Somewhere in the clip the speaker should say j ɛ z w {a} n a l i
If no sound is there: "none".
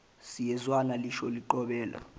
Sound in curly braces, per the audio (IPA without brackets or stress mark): a